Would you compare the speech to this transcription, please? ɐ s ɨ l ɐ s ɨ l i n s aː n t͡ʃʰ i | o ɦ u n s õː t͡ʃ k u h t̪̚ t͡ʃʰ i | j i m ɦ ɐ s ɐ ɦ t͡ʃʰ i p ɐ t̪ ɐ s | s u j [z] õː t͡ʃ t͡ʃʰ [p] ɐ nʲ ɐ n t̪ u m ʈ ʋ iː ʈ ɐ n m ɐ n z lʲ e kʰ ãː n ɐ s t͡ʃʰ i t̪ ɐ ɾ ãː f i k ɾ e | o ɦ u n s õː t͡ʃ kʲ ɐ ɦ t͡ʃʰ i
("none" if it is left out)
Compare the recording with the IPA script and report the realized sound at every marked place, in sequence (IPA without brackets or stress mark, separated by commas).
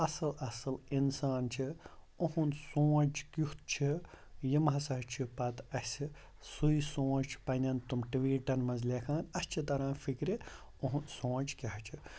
s, p